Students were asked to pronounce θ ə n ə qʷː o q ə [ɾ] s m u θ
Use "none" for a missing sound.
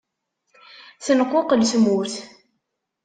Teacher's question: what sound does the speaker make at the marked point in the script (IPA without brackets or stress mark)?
l